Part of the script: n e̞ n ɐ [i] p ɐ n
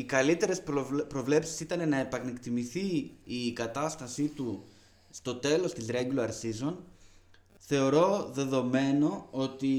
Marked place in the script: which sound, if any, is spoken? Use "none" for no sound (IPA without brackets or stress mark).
e